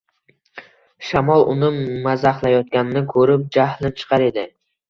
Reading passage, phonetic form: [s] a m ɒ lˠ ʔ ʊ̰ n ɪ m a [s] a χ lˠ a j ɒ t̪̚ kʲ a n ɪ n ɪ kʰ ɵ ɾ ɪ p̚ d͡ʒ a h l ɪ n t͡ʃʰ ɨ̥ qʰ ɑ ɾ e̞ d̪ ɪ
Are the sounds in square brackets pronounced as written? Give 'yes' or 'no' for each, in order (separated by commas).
no, no